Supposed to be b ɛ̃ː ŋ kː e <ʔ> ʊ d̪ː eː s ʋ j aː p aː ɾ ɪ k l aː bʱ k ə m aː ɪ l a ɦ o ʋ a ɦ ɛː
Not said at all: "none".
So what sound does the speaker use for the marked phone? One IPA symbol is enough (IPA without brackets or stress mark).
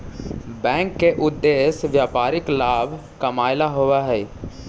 ʔ